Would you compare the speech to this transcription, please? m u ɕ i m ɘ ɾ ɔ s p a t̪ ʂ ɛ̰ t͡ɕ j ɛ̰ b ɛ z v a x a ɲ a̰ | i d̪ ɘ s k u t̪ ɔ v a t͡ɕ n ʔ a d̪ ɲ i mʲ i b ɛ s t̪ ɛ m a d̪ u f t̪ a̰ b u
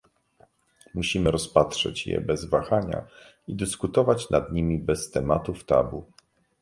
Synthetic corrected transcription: m u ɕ i m ɘ ɾ ɔ s p a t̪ ʂ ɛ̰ t͡ɕ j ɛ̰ b ɛ z v a x a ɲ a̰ | i d̪ ɘ s k u t̪ ɔ v a t͡ɕ n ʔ a d̪ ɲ i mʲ i b ɛ s t̪ ɛ m a t̪ u f t̪ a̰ b u